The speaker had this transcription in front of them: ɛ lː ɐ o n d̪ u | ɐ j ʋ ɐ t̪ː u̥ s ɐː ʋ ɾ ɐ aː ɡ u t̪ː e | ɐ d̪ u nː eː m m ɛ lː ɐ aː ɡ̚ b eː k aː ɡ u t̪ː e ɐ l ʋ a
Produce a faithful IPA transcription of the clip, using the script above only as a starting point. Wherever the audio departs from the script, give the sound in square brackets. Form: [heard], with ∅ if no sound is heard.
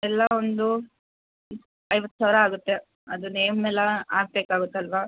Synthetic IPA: ɛ lː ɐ o n d̪ u | ɐ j ʋ ɐ t̪ː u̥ s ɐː ʋ ɾ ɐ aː ɡ u t̪ː e | ɐ d̪ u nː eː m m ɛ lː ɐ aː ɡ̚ b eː k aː ɡ u t̪ː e ɐ l ʋ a